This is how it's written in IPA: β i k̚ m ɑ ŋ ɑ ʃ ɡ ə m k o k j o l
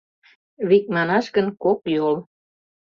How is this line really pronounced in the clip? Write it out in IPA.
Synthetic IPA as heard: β i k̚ m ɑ n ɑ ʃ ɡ ə n k o k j o l